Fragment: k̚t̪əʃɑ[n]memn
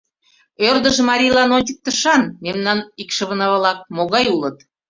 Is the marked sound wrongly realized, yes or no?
no